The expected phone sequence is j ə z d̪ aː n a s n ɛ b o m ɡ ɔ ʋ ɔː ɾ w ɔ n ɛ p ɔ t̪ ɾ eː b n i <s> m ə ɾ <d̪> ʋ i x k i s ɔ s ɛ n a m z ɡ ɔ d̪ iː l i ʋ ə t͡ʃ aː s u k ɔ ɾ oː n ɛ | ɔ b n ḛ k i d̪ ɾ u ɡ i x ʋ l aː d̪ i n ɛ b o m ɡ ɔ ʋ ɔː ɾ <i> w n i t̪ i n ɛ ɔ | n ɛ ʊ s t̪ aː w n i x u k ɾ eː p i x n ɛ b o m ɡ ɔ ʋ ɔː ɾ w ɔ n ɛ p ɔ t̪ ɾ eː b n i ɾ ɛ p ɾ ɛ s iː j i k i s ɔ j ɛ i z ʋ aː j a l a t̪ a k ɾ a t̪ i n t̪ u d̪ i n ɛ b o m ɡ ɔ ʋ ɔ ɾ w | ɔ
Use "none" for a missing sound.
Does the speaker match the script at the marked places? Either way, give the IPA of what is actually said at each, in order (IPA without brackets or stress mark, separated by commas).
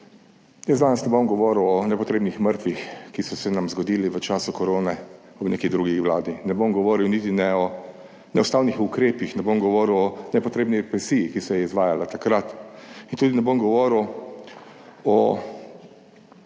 x, t̪, i